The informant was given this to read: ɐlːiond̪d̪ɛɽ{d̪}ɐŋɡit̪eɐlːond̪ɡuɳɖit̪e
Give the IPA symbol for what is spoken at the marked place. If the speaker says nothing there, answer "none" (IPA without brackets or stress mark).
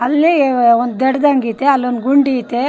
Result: d̪